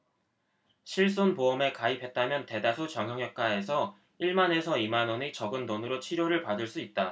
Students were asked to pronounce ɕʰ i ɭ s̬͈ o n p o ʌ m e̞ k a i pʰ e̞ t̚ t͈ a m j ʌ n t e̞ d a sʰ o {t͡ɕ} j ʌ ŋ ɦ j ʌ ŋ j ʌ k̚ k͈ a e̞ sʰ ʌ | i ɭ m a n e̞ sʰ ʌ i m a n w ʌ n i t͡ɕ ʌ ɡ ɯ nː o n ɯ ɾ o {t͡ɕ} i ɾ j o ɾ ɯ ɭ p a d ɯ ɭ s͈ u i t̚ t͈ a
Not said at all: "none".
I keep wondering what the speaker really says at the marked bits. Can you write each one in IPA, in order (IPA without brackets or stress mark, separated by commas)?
t͡ɕ, t͡ɕʰ